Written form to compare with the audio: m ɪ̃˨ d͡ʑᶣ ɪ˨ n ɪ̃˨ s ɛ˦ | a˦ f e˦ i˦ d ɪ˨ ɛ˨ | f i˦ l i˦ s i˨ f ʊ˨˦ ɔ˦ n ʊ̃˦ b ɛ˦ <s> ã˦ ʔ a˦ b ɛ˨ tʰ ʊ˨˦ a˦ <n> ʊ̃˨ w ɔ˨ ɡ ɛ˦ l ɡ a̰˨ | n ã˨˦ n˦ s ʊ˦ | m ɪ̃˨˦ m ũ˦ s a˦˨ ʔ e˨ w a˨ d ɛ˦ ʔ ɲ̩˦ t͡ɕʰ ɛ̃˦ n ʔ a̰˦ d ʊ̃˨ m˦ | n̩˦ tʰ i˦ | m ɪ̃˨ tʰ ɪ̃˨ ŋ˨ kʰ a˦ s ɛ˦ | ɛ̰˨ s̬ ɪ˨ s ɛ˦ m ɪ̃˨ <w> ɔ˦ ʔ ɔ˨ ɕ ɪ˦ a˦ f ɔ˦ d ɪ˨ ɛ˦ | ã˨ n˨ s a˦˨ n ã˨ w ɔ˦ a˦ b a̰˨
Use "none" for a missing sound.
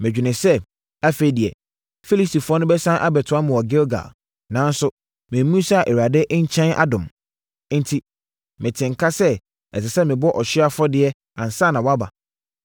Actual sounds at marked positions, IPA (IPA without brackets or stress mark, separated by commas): s, m, b